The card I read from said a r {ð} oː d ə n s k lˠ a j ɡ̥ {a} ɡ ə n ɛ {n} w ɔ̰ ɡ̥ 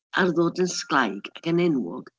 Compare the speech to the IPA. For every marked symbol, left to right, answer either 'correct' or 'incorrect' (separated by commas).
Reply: correct, correct, correct